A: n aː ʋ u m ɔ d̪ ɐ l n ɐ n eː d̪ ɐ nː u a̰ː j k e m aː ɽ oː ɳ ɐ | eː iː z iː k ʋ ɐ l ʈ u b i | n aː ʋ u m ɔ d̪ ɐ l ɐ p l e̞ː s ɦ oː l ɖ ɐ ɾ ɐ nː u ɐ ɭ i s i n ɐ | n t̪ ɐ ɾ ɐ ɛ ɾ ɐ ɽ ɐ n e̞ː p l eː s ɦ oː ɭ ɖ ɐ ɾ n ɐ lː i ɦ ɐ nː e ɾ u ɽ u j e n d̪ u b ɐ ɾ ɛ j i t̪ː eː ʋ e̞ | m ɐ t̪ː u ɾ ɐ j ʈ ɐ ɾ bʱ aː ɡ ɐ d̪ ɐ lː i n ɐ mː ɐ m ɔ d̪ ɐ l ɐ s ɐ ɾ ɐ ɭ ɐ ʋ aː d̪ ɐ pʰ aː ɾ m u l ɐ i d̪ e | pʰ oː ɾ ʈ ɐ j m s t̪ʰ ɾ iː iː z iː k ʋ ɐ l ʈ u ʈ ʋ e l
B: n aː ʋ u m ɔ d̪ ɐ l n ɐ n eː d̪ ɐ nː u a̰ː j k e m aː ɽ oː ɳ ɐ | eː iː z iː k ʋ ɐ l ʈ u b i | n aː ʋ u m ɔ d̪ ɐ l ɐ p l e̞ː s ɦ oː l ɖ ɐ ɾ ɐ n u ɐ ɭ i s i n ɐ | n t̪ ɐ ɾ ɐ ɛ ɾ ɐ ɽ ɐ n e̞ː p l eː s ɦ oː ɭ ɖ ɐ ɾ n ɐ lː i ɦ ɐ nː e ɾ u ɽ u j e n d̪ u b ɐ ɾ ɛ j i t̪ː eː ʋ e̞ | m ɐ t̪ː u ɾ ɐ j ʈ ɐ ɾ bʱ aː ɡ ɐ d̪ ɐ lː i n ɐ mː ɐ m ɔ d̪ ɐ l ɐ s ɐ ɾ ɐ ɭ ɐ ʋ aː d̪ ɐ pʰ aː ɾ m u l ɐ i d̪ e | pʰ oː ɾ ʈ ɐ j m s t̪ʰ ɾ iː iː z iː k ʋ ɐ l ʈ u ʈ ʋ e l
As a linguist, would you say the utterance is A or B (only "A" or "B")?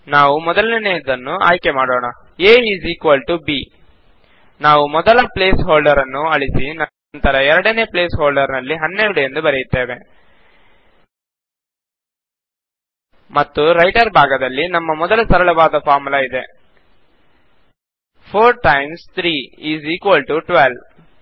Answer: A